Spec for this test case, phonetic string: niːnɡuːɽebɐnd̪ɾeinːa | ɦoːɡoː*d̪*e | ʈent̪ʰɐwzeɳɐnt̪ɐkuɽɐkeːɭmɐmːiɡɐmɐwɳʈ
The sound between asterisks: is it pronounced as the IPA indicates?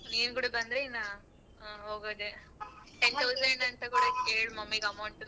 yes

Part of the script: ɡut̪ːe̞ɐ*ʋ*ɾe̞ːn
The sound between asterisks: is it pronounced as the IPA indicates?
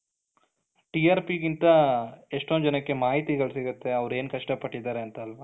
yes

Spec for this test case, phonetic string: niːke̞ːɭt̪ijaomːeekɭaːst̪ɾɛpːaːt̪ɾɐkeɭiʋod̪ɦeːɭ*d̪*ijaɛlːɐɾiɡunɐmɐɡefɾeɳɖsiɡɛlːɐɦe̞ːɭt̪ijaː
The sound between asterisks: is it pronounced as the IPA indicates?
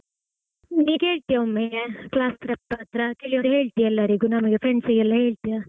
no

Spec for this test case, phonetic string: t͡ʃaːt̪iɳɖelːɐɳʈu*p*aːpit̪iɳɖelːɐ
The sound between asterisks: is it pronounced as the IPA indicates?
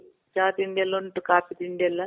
no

